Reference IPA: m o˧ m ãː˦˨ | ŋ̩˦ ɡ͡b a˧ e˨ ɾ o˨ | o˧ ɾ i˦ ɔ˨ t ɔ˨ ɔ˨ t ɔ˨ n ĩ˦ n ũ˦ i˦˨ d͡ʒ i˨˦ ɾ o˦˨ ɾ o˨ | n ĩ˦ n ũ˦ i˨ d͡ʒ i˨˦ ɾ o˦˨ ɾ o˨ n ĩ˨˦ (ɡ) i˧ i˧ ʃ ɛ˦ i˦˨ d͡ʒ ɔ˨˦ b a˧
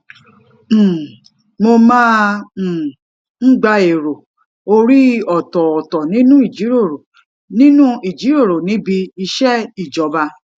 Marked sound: incorrect: b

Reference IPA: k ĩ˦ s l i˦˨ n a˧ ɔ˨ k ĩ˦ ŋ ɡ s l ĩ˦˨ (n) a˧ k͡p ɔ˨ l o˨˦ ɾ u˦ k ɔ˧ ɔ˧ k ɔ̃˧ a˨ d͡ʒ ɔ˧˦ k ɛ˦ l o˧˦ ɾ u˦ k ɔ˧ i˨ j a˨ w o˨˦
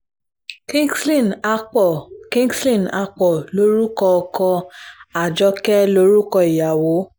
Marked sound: correct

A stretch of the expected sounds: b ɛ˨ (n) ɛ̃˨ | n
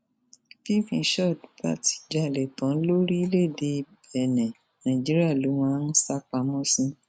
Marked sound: correct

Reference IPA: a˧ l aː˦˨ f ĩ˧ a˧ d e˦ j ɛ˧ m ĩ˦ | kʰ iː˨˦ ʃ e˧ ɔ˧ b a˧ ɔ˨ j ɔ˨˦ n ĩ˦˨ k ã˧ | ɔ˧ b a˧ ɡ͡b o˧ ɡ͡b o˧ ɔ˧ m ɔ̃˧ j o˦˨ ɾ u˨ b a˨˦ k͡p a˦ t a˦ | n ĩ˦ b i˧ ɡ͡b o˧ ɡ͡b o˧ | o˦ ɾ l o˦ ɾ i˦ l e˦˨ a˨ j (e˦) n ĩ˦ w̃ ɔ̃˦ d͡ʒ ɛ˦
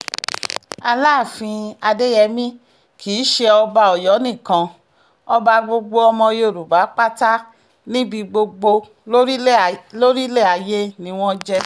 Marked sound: correct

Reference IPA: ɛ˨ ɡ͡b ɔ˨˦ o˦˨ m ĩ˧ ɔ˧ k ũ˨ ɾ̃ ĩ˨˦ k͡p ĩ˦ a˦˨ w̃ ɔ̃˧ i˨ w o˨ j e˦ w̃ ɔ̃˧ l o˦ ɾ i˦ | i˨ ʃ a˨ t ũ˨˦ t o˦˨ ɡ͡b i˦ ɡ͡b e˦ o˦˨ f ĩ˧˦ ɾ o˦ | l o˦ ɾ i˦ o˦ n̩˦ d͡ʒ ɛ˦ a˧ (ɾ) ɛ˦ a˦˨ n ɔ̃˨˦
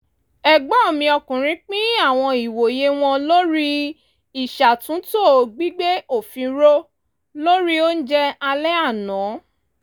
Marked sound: incorrect: l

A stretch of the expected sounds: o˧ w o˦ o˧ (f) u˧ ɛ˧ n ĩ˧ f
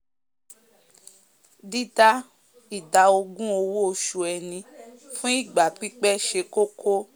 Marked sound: incorrect: ʃ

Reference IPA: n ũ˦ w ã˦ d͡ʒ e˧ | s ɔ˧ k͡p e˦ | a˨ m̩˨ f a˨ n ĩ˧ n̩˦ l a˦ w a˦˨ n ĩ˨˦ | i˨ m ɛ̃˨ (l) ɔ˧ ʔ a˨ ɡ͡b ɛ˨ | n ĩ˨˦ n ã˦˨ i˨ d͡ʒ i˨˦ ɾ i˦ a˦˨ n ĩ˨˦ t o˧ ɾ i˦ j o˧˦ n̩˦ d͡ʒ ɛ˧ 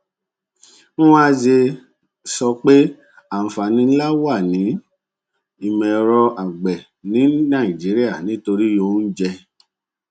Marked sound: incorrect: ɾ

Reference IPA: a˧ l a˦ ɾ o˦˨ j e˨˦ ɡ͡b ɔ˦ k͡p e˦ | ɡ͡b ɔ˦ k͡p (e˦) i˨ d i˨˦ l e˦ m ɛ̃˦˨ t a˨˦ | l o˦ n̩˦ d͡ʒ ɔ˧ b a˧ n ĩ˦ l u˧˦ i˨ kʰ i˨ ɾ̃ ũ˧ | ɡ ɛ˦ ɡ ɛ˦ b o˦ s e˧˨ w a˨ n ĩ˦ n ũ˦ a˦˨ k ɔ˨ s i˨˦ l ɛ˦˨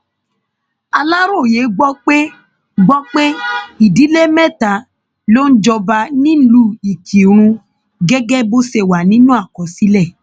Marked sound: correct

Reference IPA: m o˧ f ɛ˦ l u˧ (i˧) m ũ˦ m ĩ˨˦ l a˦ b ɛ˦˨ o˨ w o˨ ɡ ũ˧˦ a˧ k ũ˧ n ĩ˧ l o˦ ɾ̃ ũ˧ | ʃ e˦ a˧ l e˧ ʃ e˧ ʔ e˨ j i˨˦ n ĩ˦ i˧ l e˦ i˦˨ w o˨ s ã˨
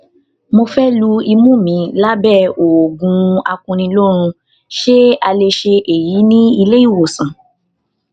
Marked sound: correct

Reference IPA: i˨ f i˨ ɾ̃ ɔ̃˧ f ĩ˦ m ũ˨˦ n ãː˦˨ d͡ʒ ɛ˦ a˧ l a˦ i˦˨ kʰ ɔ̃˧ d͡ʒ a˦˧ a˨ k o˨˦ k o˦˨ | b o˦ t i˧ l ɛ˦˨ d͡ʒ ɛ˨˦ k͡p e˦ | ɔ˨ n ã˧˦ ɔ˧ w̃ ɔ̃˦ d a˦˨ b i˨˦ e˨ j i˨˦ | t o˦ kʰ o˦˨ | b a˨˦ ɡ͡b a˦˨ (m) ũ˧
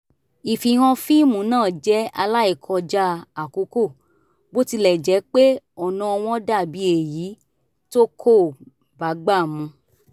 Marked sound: correct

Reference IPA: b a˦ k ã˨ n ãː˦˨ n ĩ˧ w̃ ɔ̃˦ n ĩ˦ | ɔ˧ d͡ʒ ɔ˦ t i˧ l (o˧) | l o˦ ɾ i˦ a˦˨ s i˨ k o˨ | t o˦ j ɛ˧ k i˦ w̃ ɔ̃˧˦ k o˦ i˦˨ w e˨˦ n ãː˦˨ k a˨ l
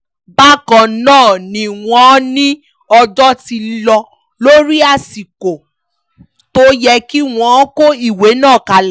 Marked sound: incorrect: ɔ˧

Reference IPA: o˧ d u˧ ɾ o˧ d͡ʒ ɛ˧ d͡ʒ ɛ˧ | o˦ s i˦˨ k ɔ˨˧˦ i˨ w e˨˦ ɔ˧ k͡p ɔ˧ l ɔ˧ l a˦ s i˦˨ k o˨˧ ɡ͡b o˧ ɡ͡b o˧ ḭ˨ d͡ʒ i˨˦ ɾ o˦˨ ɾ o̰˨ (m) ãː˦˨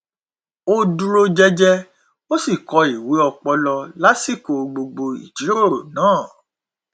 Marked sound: incorrect: n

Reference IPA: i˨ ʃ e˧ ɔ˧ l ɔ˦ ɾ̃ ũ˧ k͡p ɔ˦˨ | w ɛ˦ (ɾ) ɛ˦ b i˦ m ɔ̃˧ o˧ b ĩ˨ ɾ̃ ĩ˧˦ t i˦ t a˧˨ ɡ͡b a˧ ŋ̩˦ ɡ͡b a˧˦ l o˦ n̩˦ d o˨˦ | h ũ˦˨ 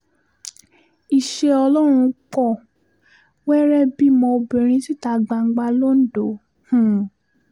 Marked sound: correct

